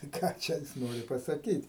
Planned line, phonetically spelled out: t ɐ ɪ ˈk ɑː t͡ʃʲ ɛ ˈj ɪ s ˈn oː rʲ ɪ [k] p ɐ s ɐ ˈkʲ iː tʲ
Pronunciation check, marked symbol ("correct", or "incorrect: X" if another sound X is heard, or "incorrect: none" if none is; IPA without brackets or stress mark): incorrect: none